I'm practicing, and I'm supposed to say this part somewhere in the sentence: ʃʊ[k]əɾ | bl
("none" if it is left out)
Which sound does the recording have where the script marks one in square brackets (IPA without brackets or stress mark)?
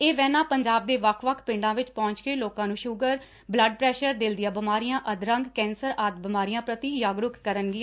ɡ